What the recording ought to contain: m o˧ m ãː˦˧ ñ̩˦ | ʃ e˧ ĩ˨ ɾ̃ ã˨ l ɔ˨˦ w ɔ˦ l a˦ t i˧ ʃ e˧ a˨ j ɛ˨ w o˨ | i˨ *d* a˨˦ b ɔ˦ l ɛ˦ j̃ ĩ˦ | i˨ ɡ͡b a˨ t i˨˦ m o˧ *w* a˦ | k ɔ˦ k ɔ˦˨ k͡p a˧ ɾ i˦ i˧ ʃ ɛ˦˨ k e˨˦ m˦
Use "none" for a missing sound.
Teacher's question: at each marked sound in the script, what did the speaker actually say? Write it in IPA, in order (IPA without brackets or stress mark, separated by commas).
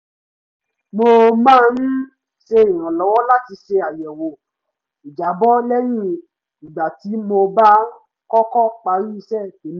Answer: d͡ʒ, b